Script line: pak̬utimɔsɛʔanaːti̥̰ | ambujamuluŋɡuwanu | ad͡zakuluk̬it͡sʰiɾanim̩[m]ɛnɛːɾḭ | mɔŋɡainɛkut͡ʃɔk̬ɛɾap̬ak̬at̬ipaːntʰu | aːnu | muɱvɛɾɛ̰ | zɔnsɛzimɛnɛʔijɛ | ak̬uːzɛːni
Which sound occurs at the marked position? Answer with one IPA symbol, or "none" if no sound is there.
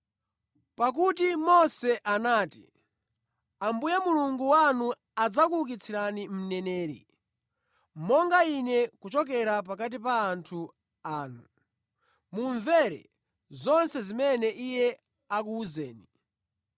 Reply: n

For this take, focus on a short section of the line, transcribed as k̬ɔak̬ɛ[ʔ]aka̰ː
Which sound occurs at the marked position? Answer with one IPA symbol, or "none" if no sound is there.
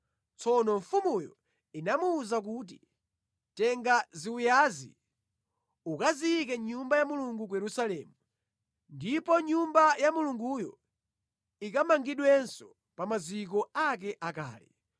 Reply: ʔ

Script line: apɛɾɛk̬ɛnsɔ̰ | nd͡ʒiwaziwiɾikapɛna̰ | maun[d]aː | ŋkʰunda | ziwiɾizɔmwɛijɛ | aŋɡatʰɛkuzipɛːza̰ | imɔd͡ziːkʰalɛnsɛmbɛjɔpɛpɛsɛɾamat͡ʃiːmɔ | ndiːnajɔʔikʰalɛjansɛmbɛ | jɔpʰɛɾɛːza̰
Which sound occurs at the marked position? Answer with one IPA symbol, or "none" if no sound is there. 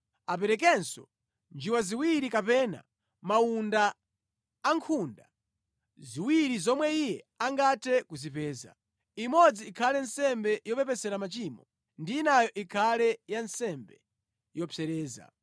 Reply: d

